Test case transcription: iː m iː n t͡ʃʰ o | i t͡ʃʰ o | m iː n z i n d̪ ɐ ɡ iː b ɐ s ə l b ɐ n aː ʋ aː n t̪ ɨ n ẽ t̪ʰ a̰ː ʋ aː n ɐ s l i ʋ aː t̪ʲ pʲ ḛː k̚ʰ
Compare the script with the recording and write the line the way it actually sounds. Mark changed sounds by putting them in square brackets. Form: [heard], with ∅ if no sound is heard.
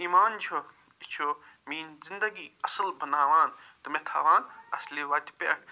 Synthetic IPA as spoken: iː m [aː] n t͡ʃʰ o | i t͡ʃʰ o | m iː n z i n d̪ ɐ ɡ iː [∅] ɐ s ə l b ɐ n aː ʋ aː n t̪ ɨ [m] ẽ t̪ʰ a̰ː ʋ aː n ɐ s l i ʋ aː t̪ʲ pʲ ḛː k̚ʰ